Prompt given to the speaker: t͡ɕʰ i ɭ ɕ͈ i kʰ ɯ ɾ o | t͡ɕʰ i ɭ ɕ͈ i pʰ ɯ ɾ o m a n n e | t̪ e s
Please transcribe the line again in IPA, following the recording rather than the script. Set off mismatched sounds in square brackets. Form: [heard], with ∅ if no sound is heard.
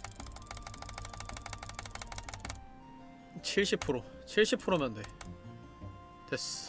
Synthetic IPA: t͡ɕʰ i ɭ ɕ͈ i [pʰ] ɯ ɾ o | t͡ɕʰ i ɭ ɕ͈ i pʰ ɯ ɾ o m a n [d] e | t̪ e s